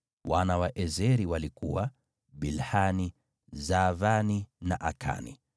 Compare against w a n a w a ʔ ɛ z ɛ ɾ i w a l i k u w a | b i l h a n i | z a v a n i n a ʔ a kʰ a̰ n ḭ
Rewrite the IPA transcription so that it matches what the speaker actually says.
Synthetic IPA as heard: w a n a w a ʔ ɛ z ɛ ɾ i w a l i k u w a | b i l h a n i | z a v a n i n a ʔ a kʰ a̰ n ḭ